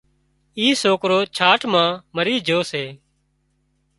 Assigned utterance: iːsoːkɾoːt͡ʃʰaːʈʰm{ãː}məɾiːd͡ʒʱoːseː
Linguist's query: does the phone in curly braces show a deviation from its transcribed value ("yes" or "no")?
no